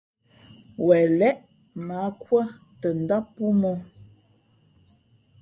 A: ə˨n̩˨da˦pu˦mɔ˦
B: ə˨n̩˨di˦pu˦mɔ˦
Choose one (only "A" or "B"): A